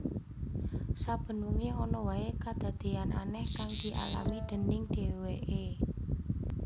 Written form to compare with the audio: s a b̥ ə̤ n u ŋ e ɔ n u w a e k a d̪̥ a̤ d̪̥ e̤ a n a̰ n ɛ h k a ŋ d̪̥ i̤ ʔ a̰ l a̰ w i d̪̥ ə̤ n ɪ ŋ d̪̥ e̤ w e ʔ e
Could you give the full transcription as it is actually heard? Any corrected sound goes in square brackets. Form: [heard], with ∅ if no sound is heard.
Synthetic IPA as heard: s a b̥ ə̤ n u ŋ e ɔ n [ɔ] w a e k a d̪̥ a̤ d̪̥ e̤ a n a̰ n ɛ h k a ŋ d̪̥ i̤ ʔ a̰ l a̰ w i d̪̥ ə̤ n ɪ ŋ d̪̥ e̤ w e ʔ e